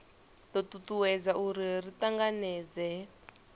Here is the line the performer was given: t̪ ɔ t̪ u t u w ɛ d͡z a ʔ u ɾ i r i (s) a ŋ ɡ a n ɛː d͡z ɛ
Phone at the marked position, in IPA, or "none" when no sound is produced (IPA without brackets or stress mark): t